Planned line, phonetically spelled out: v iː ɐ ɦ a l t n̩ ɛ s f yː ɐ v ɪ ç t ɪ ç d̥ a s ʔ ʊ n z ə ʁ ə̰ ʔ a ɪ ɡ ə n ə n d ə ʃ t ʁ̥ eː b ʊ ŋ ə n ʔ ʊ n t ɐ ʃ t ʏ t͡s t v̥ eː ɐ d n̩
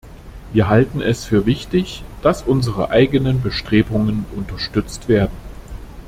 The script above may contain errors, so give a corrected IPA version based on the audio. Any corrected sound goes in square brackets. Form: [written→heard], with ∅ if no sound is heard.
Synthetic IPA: v iː ɐ ɦ a l t n̩ ɛ s f yː ɐ v ɪ ç t ɪ ç d̥ a s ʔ ʊ n z ə ʁ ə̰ ʔ a ɪ ɡ ə n ə n [d→b] ə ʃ t ʁ̥ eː b ʊ ŋ ə n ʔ ʊ n t ɐ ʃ t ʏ t͡s t v̥ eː ɐ d n̩